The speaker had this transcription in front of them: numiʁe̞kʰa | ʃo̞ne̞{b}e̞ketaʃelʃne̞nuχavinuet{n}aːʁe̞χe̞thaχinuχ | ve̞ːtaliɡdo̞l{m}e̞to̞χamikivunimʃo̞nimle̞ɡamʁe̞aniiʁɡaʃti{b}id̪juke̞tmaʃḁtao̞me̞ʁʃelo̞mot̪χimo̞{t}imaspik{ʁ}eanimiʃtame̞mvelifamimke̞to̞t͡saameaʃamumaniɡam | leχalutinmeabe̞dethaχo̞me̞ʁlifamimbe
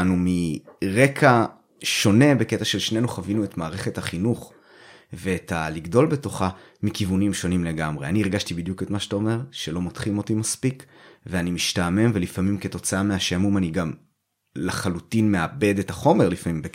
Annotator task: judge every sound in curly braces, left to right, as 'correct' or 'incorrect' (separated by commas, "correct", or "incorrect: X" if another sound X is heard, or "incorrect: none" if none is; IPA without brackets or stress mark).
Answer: correct, incorrect: m, incorrect: b, correct, correct, incorrect: v